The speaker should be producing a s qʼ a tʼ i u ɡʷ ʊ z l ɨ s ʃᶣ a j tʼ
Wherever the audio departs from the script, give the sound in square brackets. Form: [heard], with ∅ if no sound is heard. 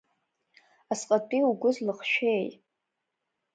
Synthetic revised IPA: a s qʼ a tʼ i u ɡʷ ʊ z l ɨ [χ] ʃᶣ [e] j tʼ